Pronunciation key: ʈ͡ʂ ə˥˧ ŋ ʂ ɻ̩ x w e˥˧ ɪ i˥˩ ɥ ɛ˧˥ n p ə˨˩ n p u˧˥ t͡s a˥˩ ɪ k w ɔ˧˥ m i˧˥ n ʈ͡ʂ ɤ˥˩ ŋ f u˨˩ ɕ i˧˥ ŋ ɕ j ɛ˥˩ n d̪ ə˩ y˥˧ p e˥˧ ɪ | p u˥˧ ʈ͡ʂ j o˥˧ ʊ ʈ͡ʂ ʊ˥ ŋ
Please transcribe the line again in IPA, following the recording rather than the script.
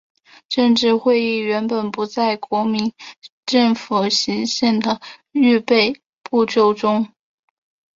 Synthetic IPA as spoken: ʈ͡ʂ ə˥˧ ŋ ʈ͡ʂ ɻ̩ x w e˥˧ ɪ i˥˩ ɥ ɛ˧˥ n p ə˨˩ n p u˧˥ t͡s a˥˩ ɪ k w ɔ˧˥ m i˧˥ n ʈ͡ʂ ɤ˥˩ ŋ f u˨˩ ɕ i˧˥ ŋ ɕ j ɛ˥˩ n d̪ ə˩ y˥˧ p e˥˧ ɪ | p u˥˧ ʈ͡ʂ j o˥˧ ʊ ʈ͡ʂ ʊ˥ ŋ

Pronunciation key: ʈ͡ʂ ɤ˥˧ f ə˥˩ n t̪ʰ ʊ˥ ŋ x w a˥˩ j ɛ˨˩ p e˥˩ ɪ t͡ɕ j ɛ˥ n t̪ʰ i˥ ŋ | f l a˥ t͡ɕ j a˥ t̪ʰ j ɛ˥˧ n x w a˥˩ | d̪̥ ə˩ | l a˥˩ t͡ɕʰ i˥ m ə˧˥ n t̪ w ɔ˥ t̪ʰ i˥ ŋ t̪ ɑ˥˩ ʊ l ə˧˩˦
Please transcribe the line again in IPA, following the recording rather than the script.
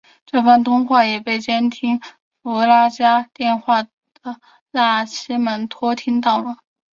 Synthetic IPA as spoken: ʈ͡ʂ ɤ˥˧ f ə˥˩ n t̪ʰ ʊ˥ ŋ x w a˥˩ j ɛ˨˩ p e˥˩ ɪ t͡ɕ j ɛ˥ n t̪ʰ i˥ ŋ | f l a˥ t͡ɕ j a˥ t̪ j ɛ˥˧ n x w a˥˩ | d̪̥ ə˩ | l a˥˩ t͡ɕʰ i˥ m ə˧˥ n t̪ʰ w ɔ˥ t̪ʰ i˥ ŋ t̪ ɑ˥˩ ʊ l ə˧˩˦

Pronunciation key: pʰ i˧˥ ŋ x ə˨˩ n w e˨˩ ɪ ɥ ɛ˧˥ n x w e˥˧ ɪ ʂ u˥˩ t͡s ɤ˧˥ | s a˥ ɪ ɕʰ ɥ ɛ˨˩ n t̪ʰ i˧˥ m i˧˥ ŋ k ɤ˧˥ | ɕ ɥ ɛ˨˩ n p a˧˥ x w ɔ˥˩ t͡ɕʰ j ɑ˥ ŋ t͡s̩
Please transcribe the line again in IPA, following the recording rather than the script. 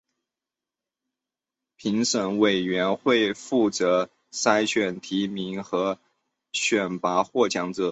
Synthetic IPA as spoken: pʰ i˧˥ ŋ ʂ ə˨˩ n w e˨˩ ɪ ɥ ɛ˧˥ n x w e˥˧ ɪ f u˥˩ t͡s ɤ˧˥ | s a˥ ɪ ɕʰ ɥ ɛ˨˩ n t̪ʰ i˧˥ m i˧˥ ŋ x ɤ˧˥ | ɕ ɥ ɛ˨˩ n p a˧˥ x w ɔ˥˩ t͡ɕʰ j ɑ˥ ŋ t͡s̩

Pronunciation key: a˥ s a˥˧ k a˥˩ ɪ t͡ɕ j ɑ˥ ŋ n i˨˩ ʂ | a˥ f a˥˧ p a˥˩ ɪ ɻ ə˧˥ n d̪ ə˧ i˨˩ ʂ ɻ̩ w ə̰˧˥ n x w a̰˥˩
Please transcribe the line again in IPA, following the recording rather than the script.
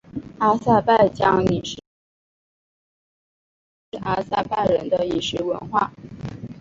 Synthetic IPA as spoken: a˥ s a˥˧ p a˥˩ ɪ t͡ɕ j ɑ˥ ŋ n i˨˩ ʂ | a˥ s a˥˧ p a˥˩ ɪ ɻ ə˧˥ n d̪ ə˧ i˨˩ ʂ ɻ̩ w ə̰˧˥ n x w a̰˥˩

